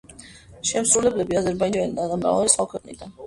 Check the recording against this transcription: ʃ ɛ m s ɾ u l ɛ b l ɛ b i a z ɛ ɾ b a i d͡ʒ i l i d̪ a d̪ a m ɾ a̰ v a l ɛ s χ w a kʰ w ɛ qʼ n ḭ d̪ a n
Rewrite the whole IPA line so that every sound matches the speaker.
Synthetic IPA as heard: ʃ ɛ m s ɾ u l ɛ b l ɛ b i a z ɛ ɾ b a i d͡ʒ a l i d̪ a d̪ a m ɾ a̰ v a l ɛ s χ w a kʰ w ɛ qʼ n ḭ d̪ a n